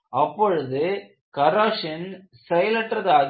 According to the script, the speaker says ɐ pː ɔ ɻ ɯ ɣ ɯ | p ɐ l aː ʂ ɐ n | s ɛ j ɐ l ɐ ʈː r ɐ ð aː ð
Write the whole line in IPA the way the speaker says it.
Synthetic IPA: ɐ pː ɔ ɻ ɯ ð ɯ | k ɐ ɾ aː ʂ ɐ n | s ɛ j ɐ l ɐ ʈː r ɐ ð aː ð